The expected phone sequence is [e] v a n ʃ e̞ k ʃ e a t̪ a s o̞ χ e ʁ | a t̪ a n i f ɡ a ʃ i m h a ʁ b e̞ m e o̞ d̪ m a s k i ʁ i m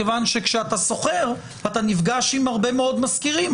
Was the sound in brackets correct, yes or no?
yes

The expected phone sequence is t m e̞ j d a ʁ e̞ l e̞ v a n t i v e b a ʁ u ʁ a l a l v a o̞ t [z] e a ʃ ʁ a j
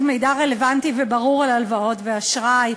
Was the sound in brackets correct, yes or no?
no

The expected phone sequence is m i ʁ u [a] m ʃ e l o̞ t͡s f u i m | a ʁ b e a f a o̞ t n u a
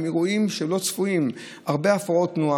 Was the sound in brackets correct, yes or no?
no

